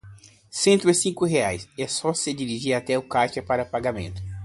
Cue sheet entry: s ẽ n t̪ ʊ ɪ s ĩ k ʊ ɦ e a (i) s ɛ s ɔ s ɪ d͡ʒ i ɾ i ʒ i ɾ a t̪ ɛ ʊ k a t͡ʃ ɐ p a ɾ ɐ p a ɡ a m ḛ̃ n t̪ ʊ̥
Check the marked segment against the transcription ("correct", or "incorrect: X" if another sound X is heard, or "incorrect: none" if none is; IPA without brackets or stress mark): incorrect: j